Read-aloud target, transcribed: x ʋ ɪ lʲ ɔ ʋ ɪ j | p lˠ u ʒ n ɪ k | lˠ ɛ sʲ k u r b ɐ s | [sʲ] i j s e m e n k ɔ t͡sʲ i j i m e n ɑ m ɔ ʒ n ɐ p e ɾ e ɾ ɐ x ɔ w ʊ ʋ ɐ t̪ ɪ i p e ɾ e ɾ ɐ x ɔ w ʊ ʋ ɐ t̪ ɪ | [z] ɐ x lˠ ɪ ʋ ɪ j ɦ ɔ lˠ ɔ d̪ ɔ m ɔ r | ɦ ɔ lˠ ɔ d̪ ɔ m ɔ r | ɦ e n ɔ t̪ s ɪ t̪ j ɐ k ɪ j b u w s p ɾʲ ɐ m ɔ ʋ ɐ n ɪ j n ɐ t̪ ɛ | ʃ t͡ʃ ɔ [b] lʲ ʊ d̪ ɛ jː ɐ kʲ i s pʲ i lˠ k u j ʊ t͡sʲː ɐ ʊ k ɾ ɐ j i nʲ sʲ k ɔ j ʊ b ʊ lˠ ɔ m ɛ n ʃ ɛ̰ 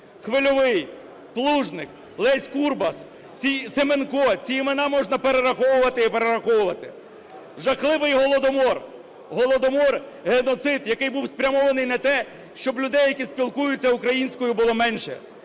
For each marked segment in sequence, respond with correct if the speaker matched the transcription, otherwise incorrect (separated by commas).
incorrect, incorrect, correct